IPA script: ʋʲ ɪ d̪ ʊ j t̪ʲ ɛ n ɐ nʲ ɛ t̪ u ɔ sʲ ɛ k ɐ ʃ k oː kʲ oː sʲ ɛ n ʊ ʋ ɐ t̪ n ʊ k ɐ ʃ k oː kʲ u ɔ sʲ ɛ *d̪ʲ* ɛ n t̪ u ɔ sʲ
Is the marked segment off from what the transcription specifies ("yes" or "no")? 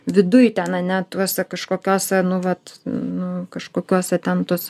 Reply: yes